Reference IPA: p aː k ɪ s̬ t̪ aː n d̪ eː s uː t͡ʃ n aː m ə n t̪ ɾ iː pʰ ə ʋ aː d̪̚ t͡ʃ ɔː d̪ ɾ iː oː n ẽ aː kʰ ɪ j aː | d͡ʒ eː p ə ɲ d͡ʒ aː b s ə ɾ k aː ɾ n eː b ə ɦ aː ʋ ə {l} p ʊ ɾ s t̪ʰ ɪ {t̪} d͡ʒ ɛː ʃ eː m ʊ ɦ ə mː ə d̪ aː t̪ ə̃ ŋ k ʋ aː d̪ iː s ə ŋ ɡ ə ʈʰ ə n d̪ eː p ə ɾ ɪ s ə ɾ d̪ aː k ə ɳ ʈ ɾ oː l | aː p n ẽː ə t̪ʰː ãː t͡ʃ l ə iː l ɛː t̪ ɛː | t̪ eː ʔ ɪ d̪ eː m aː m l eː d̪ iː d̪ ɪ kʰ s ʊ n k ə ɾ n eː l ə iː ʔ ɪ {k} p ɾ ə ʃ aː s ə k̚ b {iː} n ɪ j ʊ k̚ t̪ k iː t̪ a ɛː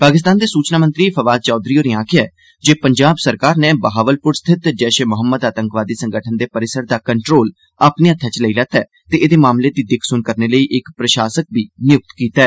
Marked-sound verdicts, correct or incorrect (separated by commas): correct, correct, correct, correct